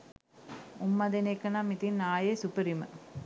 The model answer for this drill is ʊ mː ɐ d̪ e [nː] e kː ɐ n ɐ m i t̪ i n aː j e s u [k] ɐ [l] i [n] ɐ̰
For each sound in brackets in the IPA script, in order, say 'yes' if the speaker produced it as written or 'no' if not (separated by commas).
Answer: no, no, no, no